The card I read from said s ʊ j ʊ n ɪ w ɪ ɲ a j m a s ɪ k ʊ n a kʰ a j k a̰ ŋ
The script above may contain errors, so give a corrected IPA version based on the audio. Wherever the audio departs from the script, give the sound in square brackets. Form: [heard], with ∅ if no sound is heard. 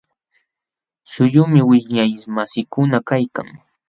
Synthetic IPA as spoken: s ʊ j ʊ [m] ɪ w ɪ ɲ a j m a s ɪ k ʊ n a [k] a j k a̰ ŋ

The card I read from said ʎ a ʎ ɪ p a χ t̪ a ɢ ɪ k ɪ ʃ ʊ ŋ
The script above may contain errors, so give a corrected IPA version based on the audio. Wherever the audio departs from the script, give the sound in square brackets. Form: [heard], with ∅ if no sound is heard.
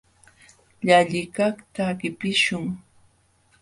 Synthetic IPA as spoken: ʎ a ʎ ɪ [k] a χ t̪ a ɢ ɪ [p] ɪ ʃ ʊ ŋ

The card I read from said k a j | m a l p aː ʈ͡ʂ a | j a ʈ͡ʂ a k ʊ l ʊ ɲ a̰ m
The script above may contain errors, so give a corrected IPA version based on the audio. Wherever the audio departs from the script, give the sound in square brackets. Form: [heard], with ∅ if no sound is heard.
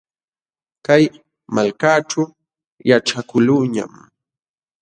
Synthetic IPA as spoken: k a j | m a l [k] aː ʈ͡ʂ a | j a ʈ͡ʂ a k ʊ l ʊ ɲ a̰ m

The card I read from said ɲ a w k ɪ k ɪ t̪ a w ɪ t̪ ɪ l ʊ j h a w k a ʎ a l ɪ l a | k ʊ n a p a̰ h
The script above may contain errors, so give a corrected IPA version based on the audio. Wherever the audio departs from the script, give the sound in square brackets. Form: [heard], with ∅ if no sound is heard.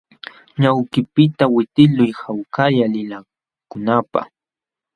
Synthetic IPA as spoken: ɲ a w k ɪ [p] ɪ t̪ a w ɪ t̪ ɪ l ʊ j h a w k a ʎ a l ɪ l a | k ʊ n a p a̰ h

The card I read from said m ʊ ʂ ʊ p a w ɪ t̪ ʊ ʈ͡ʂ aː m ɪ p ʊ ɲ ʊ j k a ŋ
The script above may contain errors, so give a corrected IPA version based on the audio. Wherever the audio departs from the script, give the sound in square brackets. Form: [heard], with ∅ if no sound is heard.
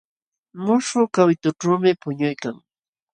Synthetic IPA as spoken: m ʊ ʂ ʊ [k] a w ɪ t̪ ʊ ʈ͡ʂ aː m ɪ p ʊ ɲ ʊ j k a ŋ

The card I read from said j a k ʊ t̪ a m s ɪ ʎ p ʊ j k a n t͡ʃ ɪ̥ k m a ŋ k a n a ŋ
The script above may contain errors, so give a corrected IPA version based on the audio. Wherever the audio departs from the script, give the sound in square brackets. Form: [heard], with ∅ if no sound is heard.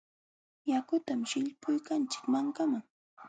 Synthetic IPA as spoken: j a k ʊ t̪ a m [ʃ] ɪ ʎ p ʊ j k a n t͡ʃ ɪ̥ k m a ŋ k a [m] a ŋ

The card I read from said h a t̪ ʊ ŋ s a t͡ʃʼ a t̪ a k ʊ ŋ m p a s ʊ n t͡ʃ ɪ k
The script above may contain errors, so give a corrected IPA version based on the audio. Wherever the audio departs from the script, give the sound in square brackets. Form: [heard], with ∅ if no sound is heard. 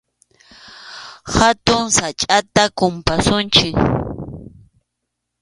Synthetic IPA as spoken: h a t̪ ʊ ŋ s a t͡ʃʼ a t̪ a k ʊ [∅] m p a s ʊ n t͡ʃ ɪ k

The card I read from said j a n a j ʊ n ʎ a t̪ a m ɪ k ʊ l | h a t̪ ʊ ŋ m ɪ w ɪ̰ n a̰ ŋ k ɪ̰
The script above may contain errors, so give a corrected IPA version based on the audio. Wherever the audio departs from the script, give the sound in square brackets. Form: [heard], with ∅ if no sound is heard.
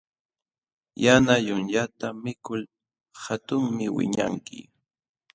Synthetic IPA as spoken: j a n a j ʊ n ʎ a t̪ a m ɪ k ʊ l | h a t̪ ʊ ŋ m ɪ w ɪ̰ [ɲ] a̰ ŋ k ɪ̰

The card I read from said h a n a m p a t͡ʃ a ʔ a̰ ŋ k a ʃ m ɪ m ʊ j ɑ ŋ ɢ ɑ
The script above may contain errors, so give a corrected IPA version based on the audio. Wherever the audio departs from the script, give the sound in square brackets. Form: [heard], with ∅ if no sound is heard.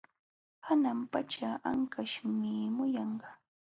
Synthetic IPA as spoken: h a n a m p a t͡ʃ a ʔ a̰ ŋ k a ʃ m ɪ m ʊ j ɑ [ɴ] ɢ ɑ

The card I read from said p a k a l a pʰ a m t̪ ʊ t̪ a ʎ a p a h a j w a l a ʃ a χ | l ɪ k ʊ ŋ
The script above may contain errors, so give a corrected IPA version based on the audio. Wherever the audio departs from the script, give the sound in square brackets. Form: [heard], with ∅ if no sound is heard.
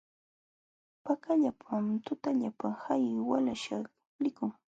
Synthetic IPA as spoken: p a k a [ʎ] a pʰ a m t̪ ʊ t̪ a ʎ a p a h a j w a l a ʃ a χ | l ɪ k ʊ ŋ

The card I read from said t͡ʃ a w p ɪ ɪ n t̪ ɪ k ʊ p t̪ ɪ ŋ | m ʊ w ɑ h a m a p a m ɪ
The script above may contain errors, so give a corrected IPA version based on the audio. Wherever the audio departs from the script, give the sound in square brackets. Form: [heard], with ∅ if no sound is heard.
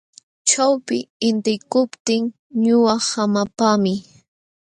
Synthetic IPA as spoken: t͡ʃ a w p ɪ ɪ n t̪ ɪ k ʊ p t̪ ɪ ŋ | [ɲ] ʊ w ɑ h a m a p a m ɪ

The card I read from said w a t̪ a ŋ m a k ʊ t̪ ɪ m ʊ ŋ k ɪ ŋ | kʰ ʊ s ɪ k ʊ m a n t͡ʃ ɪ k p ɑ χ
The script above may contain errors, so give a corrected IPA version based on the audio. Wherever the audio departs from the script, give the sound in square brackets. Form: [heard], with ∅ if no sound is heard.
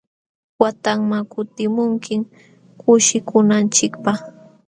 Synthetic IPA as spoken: w a t̪ a ŋ m a k ʊ t̪ ɪ m ʊ ŋ k ɪ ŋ | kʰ ʊ [ʃ] ɪ k ʊ [n] a n t͡ʃ ɪ k p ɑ χ

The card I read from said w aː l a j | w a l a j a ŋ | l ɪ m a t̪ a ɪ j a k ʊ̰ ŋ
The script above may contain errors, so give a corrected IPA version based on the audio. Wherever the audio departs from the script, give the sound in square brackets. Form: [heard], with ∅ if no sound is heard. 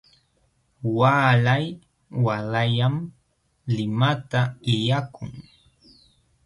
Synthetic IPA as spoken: w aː l a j | w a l a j a [m] | l ɪ m a t̪ a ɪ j a k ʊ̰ ŋ

